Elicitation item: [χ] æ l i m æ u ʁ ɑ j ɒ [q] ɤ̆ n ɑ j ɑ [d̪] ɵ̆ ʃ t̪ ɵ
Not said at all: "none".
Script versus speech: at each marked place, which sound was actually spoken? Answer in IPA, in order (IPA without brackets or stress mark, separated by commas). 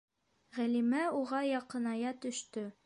ʁ, q, t̪